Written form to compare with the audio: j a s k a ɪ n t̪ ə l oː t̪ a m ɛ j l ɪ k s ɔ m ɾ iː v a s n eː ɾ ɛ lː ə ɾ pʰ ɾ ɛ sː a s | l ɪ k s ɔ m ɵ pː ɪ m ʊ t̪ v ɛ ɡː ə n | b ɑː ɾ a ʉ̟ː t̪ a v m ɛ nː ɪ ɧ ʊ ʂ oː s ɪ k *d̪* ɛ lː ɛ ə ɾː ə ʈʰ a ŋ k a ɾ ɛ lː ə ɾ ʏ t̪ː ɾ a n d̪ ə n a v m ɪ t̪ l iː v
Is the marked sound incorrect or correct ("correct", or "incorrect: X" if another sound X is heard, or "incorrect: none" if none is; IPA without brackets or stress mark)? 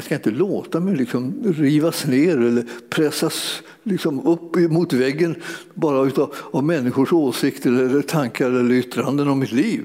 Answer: incorrect: t̪